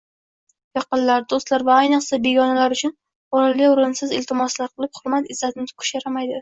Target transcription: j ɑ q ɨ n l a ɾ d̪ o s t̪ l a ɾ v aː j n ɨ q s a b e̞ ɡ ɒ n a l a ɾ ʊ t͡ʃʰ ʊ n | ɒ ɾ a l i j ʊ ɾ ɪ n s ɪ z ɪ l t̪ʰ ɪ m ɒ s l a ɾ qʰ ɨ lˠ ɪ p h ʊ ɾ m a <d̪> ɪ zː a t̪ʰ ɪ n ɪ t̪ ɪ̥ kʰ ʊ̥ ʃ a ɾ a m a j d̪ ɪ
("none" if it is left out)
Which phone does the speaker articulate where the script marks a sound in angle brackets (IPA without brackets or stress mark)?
t̪